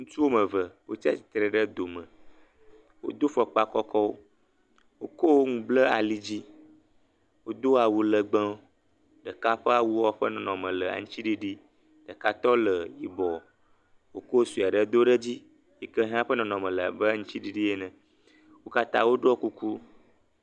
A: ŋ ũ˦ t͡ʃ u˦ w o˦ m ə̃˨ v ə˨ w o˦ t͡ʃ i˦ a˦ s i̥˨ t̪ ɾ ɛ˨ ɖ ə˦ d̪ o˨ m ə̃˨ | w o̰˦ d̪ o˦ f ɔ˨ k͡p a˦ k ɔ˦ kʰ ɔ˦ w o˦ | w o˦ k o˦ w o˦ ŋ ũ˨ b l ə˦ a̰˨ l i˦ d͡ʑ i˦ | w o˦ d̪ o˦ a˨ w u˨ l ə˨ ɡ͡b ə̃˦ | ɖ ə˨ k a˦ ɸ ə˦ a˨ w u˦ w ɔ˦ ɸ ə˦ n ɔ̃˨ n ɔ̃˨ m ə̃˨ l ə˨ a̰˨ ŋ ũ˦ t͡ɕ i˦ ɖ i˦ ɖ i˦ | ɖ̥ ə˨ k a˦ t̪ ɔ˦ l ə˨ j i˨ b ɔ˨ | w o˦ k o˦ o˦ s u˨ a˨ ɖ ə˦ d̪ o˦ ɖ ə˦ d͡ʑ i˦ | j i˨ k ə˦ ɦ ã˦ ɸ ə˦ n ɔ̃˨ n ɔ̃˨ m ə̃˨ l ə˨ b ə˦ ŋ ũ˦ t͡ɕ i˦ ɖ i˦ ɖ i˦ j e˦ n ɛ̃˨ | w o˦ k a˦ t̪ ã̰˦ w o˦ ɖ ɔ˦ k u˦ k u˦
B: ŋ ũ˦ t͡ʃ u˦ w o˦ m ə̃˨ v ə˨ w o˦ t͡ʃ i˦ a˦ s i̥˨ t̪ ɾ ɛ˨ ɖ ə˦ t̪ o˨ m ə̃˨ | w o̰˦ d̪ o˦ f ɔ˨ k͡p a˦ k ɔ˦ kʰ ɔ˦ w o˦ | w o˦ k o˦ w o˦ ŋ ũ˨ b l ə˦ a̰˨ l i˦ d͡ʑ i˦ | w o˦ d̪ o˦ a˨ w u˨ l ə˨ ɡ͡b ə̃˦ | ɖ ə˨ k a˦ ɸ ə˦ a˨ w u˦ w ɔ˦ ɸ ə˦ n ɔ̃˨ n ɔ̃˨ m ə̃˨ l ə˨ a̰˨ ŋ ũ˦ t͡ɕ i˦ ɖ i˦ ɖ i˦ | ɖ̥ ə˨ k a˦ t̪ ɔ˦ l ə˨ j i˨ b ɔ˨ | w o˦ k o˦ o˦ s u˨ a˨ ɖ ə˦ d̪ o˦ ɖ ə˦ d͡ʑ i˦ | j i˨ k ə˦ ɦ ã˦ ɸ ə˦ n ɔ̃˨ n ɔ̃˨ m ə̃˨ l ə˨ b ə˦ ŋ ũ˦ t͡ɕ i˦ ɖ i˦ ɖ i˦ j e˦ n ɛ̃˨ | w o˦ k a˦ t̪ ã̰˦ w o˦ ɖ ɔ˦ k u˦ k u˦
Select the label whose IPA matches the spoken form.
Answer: A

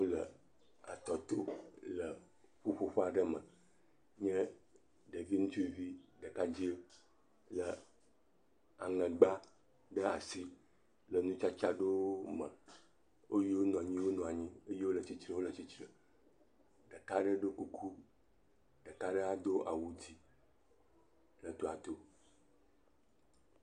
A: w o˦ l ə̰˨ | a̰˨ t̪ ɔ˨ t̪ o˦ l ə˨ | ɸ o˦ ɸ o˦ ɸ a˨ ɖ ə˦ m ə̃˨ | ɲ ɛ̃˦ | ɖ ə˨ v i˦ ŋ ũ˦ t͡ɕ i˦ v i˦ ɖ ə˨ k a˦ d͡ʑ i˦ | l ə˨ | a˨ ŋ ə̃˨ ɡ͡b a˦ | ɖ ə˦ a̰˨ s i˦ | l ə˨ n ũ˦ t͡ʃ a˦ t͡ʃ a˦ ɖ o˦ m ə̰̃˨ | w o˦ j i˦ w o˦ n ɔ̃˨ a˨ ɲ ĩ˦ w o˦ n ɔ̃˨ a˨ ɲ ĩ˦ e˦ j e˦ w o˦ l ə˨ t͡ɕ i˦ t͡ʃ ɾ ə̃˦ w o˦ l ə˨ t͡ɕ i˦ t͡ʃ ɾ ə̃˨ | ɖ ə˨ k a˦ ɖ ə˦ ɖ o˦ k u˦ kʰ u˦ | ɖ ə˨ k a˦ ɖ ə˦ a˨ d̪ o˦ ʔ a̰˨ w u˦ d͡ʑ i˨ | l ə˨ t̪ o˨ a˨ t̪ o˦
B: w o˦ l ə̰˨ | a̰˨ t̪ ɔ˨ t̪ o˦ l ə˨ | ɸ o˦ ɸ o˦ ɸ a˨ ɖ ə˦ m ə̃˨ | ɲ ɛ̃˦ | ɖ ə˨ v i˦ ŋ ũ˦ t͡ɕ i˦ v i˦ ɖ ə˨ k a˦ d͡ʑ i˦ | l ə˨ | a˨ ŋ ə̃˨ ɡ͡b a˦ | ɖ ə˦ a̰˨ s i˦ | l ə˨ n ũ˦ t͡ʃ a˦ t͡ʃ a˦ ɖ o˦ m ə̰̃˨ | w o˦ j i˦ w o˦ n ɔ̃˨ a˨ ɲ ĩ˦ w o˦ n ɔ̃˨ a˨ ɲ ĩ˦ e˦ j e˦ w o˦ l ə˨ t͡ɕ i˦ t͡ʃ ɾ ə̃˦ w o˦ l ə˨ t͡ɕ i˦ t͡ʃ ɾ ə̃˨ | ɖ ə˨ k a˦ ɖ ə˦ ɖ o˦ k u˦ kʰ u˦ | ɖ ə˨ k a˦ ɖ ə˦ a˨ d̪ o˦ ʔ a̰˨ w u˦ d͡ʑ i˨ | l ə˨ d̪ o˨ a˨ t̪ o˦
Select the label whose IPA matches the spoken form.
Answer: A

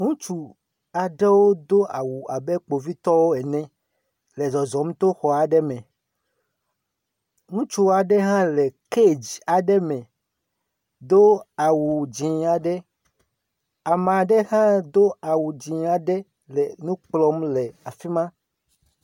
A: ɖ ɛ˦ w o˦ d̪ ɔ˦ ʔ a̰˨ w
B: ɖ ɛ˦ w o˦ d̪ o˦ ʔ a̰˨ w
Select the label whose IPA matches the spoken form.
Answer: B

